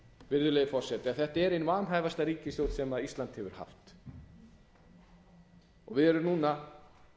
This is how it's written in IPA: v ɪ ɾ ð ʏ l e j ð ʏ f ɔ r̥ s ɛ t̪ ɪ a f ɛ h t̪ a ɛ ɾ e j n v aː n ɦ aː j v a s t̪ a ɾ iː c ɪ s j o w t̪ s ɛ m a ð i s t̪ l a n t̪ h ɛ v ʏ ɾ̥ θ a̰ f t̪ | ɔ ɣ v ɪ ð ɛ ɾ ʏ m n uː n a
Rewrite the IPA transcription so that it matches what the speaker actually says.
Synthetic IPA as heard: v ɪ ɾ ð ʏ l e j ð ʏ f ɔ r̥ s ɛ t̪ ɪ a θ ɛ h t̪ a ɛ ɾ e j n v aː n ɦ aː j v a s t̪ a ɾ iː c ɪ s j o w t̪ s ɛ m a ð i s t̪ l a n t̪ h ɛ v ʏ ɾ̥ h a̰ f t̪ | ɔ ɣ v ɪ ð ɛ ɾ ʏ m n uː n a